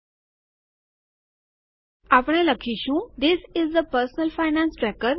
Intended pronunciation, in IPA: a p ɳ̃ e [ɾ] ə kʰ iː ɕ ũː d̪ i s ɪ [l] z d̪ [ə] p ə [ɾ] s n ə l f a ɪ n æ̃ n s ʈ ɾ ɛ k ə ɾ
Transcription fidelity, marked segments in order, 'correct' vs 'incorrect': incorrect, incorrect, correct, correct

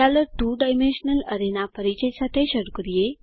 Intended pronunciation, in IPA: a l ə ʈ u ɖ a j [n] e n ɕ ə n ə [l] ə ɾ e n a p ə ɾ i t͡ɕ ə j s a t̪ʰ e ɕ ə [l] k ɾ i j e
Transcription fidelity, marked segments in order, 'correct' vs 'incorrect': incorrect, correct, incorrect

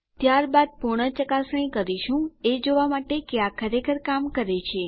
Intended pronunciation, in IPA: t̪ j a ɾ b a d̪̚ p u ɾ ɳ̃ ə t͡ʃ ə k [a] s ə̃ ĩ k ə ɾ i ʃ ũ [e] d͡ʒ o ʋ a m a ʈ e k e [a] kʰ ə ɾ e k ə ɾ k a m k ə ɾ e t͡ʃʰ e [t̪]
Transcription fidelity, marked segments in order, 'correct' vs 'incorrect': correct, correct, correct, incorrect

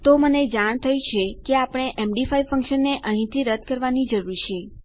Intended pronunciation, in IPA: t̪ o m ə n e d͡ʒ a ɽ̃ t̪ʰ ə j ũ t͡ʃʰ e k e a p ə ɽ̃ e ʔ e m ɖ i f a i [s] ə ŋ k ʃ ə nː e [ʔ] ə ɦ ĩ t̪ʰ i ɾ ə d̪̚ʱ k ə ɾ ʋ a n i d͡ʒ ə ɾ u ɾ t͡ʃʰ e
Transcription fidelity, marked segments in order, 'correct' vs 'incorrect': incorrect, correct

